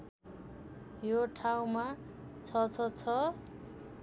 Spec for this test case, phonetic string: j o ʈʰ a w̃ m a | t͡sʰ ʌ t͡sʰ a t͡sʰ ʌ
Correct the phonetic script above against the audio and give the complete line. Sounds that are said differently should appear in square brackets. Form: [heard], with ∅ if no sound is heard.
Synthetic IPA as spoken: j o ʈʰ a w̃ m a | t͡sʰ ʌ t͡sʰ [ʌ] t͡sʰ ʌ